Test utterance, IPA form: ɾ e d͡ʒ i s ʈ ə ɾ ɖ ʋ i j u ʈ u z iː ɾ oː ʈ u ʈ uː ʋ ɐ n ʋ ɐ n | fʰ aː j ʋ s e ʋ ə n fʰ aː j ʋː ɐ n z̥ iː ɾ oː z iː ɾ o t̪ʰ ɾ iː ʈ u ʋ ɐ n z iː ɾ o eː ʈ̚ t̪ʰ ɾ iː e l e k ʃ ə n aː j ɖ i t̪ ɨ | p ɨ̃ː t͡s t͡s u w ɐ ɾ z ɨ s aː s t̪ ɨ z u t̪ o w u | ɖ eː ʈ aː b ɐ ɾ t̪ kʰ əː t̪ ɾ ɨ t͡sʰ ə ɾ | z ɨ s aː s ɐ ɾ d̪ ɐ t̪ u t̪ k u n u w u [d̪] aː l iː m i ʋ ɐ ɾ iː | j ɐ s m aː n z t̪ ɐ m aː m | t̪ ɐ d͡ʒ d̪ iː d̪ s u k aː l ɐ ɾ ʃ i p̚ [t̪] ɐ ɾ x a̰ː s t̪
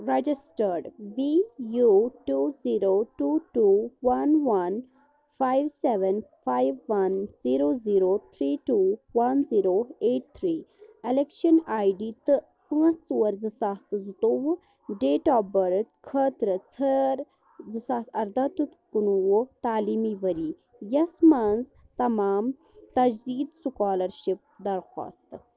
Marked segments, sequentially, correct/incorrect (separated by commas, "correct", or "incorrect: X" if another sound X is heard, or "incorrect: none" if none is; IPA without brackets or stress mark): incorrect: t̪, incorrect: d̪